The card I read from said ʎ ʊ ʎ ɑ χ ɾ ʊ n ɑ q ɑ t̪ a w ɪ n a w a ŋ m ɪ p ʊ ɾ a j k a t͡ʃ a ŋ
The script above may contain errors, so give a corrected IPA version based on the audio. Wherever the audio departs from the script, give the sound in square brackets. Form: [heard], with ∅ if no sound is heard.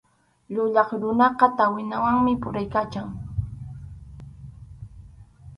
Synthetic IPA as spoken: ʎ ʊ ʎ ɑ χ ɾ ʊ n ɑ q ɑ t̪ a w ɪ n a w a ŋ m ɪ p ʊ ɾ a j k a t͡ʃ a ŋ

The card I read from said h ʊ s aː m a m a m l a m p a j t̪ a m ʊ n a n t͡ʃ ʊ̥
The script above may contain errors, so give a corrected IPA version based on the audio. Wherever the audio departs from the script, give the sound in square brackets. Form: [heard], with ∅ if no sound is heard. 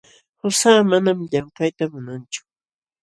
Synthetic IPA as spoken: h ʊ s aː m a [n] a m [ʎ] a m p a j t̪ a m ʊ n a n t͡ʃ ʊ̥

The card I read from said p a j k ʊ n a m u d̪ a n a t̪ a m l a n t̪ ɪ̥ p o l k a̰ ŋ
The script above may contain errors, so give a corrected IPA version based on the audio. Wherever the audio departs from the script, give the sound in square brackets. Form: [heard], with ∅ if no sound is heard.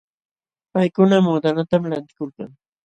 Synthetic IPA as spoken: p a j k ʊ n a m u d̪ a n a t̪ a m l a n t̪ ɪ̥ [k] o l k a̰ ŋ

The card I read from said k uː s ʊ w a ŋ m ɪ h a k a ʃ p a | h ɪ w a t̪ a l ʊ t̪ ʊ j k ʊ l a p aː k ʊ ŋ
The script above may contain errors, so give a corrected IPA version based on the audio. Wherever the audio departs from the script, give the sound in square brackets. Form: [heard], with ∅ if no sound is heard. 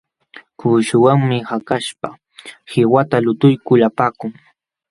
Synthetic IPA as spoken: k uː [ʃ] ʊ w a ŋ m ɪ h a k a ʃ p a | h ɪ w a t̪ a l ʊ t̪ ʊ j k ʊ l a p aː k ʊ ŋ

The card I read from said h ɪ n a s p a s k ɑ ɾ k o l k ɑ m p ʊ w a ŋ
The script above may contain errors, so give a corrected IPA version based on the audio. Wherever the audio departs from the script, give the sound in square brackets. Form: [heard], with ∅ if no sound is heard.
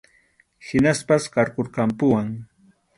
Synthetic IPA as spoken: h ɪ n a s p a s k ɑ ɾ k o [ɾ] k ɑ m p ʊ w a ŋ

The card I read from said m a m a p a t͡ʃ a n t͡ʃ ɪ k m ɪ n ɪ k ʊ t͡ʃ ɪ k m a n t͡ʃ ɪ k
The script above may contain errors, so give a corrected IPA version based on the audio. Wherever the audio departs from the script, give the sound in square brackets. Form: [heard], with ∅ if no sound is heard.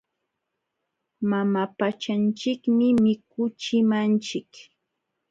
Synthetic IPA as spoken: m a m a p a t͡ʃ a n t͡ʃ ɪ k m ɪ [m] ɪ k ʊ t͡ʃ ɪ [∅] m a n t͡ʃ ɪ k

